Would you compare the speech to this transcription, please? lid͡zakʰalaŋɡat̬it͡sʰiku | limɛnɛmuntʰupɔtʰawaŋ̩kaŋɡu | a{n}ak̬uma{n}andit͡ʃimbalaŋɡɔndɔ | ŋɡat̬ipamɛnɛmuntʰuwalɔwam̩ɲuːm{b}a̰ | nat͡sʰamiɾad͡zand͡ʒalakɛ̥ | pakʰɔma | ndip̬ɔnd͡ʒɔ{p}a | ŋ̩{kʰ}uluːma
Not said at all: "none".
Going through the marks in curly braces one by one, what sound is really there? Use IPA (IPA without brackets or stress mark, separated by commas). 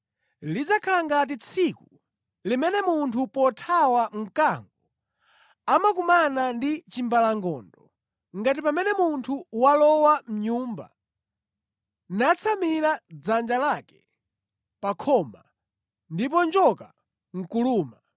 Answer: m, n, b, k, k